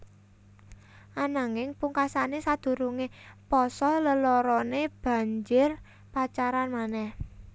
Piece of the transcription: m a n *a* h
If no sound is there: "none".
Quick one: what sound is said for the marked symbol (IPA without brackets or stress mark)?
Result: ɛ